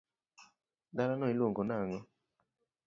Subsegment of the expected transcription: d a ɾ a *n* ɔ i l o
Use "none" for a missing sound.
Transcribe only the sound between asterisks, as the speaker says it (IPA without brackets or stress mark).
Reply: n